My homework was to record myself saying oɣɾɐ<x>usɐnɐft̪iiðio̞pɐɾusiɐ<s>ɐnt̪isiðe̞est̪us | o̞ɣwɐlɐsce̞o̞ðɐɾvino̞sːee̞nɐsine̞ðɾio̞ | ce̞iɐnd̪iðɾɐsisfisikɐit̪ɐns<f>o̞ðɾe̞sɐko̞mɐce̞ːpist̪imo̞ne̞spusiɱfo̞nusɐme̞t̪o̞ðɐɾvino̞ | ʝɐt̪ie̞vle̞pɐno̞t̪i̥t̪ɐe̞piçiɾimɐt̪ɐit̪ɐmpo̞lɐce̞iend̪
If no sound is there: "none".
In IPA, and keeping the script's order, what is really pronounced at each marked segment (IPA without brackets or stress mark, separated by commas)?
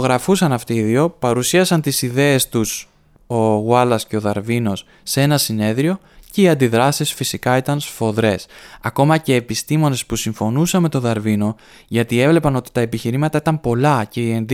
f, s, f